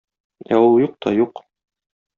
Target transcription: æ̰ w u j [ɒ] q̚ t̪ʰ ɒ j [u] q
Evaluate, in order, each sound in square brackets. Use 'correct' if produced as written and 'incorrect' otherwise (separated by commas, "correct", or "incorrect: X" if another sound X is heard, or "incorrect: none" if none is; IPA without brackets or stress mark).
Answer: incorrect: u, correct